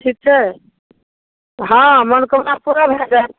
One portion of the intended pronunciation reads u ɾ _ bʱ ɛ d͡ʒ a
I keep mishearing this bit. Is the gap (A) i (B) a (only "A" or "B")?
B